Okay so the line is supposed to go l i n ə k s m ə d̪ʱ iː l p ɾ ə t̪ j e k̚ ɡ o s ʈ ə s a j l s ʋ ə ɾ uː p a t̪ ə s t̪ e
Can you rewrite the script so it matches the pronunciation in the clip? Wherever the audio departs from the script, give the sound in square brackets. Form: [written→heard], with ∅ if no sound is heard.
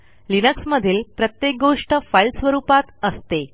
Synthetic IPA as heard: l i n ə k s m ə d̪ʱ iː l p ɾ ə t̪ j e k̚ ɡ o [s→ʂ] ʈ ə [s→f] a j l s ʋ ə ɾ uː p a t̪ ə s t̪ e